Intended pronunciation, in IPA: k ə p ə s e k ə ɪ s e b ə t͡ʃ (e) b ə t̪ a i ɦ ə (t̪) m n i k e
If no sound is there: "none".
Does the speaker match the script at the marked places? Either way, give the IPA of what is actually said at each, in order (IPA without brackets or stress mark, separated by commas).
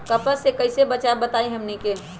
a, none